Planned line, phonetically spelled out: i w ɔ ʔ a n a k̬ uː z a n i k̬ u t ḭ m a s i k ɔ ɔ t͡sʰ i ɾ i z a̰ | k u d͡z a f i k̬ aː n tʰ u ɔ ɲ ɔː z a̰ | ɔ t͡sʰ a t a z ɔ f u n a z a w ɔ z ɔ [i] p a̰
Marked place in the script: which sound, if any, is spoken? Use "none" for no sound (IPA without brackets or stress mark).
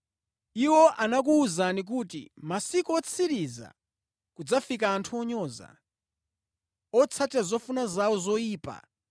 iː